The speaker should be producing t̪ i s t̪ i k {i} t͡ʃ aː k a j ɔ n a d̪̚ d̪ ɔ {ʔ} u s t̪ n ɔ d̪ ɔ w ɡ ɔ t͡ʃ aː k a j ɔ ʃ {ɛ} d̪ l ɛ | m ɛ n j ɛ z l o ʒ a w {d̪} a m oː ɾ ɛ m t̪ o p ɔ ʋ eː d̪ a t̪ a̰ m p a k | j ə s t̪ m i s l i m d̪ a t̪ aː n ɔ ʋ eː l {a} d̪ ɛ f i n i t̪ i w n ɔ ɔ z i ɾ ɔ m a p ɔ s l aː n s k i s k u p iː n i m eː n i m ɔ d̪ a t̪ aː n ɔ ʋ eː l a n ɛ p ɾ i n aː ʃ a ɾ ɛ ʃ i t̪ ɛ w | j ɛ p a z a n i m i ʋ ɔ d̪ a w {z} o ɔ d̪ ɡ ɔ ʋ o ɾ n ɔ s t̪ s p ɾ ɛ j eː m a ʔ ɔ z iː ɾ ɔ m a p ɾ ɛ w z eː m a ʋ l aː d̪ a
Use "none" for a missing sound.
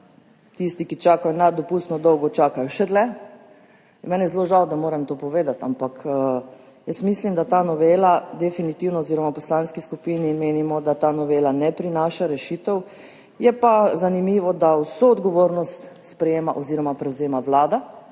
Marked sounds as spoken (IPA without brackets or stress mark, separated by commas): i, p, ɛ, d̪, a, s